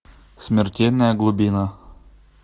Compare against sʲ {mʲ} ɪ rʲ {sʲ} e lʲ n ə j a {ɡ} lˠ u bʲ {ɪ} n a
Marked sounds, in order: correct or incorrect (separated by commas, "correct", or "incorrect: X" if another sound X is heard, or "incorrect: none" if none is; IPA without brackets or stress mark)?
correct, incorrect: tʲ, correct, incorrect: i